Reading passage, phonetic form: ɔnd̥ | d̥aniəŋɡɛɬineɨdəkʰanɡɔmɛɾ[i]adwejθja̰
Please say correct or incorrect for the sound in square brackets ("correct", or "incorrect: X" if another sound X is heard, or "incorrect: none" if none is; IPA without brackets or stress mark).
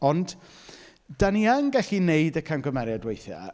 incorrect: j